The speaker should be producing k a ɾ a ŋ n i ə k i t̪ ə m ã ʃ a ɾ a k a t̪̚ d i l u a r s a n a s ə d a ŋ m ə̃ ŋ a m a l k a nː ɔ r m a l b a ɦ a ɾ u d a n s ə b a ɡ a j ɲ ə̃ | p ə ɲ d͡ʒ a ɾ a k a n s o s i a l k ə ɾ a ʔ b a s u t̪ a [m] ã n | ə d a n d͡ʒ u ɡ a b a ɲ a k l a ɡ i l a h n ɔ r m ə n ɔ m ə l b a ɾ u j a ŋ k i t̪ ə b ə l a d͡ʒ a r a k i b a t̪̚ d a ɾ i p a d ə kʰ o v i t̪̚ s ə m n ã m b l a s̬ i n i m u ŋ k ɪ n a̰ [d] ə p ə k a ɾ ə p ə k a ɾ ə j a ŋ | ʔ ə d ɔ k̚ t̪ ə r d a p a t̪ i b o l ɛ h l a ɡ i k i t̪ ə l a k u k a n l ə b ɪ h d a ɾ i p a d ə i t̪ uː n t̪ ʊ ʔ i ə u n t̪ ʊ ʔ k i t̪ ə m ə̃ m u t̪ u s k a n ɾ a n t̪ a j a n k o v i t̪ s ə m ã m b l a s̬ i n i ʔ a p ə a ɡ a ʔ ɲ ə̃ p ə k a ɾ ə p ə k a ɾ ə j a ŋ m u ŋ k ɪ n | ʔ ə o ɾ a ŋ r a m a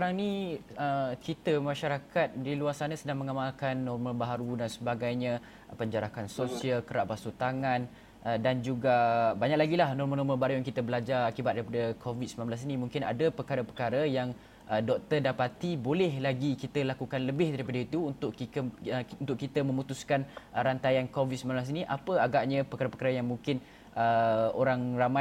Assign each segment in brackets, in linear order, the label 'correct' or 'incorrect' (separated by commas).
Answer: incorrect, correct